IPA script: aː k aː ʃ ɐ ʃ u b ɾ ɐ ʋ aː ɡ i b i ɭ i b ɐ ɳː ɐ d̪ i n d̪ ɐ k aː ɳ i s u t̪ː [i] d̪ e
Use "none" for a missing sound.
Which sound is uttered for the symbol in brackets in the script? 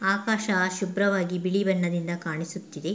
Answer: i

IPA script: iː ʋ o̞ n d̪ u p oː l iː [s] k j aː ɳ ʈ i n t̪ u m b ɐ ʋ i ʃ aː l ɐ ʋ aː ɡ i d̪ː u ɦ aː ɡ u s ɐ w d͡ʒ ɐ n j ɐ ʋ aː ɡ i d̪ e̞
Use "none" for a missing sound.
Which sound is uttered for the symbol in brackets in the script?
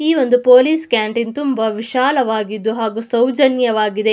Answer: s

